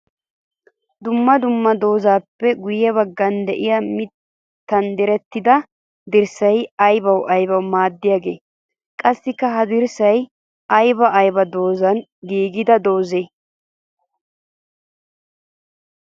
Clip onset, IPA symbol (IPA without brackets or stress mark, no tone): d̪